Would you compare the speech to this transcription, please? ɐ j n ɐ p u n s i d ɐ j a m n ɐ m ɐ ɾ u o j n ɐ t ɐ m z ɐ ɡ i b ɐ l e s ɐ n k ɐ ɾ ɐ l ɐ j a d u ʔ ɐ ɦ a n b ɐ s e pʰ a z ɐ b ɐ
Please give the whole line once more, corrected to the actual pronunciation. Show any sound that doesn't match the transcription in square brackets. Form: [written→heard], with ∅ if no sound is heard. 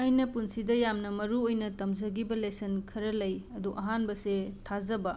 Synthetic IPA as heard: ɐ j n ɐ p u n s i d ɐ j a m n ɐ m ɐ ɾ u o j n ɐ t ɐ m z ɐ ɡ i b ɐ l e s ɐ n [k→kʰ] ɐ ɾ ɐ l ɐ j [a→ɐ] d u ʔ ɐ ɦ a n b ɐ s e [pʰ→tʰ] a z ɐ b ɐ